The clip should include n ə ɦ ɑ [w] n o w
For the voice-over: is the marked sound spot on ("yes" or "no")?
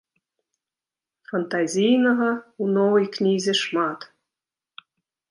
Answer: no